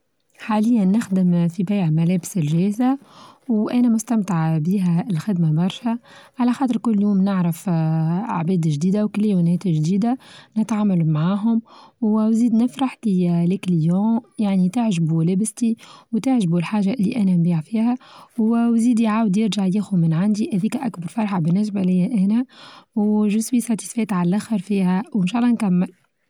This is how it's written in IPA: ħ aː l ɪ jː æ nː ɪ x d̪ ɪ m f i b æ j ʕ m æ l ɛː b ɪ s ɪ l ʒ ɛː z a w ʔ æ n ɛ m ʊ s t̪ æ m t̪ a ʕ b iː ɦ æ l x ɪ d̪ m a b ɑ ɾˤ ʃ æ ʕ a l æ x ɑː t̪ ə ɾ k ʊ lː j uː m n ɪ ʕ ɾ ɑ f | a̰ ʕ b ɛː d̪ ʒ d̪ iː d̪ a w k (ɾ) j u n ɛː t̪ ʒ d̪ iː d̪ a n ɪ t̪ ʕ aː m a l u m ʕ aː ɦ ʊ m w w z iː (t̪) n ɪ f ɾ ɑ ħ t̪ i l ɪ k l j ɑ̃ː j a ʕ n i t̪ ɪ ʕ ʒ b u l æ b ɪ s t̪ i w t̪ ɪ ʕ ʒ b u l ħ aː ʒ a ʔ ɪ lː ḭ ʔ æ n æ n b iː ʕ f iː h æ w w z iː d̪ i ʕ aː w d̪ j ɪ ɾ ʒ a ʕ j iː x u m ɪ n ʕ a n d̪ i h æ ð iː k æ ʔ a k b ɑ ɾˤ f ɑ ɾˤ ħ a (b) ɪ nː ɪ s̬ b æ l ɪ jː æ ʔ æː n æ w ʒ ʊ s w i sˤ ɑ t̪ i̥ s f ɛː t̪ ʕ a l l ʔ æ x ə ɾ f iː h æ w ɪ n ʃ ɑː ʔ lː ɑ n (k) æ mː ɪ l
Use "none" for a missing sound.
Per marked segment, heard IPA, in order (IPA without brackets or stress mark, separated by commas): l, d̪, b, k